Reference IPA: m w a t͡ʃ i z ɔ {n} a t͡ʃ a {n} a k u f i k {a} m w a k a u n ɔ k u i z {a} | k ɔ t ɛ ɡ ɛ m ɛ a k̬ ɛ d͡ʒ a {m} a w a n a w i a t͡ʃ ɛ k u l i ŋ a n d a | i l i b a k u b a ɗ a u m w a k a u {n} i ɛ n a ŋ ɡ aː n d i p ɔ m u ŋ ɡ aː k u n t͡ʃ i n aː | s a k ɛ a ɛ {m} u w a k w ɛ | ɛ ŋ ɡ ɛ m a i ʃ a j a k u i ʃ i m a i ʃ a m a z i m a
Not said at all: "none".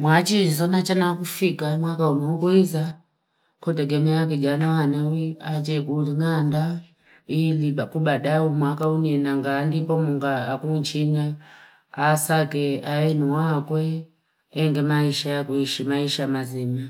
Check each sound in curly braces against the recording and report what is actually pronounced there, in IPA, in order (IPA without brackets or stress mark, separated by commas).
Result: n, n, a, a, n, n, n